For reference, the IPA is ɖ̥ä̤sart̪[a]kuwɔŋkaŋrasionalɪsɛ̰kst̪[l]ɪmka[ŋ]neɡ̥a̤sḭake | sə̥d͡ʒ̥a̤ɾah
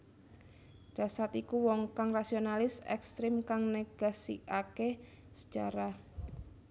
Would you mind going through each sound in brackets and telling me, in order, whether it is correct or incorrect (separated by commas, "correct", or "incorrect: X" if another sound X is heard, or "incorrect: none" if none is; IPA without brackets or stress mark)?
incorrect: i, incorrect: ɾ, correct